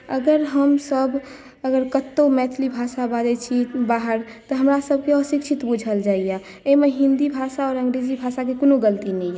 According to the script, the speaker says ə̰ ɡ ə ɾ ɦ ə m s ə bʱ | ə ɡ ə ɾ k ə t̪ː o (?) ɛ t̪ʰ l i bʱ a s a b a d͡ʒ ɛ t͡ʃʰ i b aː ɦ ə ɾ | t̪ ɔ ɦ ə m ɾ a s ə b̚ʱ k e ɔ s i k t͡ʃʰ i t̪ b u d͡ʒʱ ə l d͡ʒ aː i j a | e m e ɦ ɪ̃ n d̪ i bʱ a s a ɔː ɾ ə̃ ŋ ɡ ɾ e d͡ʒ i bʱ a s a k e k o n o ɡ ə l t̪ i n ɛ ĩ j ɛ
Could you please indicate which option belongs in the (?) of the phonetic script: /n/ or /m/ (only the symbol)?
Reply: m